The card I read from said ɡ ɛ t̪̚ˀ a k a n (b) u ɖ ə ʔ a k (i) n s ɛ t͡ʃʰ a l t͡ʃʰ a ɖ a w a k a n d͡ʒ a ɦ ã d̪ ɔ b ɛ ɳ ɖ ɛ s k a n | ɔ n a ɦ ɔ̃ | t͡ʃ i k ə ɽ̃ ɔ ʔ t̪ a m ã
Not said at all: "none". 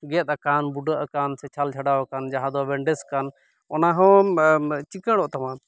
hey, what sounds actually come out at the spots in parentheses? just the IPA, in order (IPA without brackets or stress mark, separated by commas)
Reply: b, a